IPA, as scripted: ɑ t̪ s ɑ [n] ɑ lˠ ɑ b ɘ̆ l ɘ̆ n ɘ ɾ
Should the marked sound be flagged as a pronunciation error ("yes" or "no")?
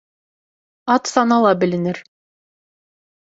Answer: no